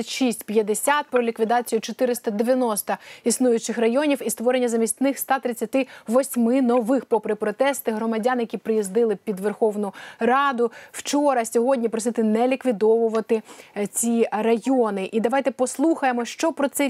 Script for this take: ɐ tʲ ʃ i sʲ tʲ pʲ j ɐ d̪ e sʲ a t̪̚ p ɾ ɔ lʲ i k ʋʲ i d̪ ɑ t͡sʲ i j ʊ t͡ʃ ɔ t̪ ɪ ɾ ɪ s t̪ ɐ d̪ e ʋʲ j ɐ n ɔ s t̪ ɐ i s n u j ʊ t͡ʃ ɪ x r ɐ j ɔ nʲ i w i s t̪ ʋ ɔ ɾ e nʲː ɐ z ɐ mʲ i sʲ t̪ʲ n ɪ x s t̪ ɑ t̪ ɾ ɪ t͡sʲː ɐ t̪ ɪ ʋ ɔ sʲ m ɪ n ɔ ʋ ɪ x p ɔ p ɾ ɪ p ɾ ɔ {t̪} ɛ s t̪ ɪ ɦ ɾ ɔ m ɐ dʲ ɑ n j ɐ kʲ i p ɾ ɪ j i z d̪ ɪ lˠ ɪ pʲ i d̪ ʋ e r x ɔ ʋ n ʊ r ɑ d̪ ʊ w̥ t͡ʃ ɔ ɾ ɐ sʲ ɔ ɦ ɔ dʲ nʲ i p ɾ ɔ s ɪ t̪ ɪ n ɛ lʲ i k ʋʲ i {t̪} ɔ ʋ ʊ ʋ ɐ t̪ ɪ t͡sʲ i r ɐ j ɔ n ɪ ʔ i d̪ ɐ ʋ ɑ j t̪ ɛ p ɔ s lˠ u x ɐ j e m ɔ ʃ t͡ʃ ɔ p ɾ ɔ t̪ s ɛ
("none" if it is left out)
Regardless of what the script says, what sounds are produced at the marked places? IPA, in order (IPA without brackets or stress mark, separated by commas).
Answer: t̪, d̪